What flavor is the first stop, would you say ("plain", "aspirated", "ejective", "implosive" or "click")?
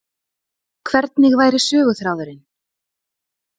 aspirated